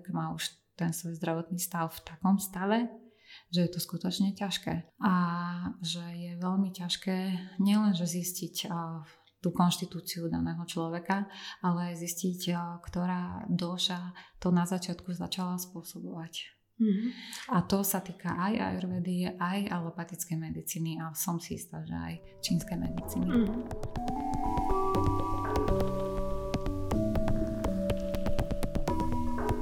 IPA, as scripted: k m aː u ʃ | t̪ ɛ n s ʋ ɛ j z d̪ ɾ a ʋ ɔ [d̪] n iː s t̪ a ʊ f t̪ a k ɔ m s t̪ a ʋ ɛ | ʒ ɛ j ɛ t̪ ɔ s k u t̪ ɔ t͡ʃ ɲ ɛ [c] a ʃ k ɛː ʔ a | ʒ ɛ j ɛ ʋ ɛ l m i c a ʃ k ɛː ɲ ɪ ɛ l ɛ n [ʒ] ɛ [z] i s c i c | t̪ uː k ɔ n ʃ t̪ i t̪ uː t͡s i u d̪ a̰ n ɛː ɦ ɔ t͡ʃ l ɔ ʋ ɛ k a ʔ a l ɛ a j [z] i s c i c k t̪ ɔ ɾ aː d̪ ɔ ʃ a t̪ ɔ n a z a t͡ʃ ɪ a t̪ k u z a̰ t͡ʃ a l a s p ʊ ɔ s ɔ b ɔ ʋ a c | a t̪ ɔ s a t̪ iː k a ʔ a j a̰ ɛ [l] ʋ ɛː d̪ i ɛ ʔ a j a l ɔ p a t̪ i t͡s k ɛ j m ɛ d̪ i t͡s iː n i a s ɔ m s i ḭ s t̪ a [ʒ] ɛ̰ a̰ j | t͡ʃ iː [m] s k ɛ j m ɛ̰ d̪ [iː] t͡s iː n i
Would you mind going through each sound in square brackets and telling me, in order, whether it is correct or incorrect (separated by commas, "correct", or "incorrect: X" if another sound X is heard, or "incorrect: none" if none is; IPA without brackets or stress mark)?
incorrect: t̪, correct, correct, correct, correct, incorrect: ɾ, correct, incorrect: n, incorrect: i